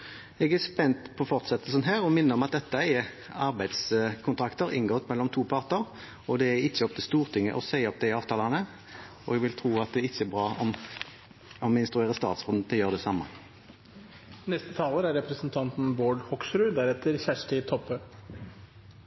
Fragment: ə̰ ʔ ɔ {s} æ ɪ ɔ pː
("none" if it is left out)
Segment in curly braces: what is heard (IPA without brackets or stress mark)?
s